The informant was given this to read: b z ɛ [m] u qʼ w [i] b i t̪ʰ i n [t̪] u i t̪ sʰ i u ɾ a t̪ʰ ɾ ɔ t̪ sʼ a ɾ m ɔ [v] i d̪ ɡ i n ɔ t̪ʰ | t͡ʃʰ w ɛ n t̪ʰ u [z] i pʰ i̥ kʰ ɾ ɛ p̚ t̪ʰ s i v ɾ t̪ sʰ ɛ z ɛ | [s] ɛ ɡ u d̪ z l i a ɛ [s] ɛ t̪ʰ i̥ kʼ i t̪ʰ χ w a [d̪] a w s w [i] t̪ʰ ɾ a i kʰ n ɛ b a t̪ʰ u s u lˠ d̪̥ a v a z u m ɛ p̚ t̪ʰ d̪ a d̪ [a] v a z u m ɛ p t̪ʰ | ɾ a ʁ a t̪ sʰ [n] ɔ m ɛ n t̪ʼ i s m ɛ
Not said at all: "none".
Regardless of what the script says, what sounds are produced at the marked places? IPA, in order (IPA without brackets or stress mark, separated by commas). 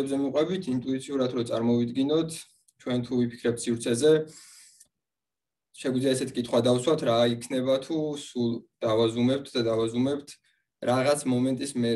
m, ɛ, t̪ʼ, v, v, ʃ, s, d̪, a, a, m